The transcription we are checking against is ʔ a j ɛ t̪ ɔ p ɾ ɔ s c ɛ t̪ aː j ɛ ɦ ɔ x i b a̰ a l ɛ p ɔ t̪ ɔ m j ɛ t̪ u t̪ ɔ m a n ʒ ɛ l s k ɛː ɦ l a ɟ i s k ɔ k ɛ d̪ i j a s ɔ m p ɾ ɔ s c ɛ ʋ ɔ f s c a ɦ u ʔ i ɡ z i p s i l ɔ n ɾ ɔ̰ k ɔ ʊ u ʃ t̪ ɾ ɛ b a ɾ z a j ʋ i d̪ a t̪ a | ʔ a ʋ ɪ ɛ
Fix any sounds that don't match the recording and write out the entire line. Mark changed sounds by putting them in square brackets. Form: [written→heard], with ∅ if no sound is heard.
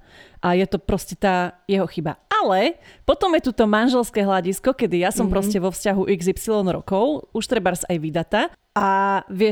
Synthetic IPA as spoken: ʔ a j ɛ t̪ ɔ p ɾ ɔ s c ɛ t̪ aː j ɛ ɦ ɔ x i b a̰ a l ɛ p ɔ t̪ ɔ m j ɛ t̪ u t̪ ɔ m a n ʒ ɛ l s k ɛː ɦ l a ɟ i s k ɔ k ɛ d̪ i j a s ɔ m p ɾ ɔ s c ɛ ʋ ɔ f s c a ɦ u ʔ i ɡ z i p s i l ɔ n ɾ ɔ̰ k ɔ ʊ u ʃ t̪ ɾ ɛ b a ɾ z a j ʋ i d̪ a t̪ a | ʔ a ʋ ɪ ɛ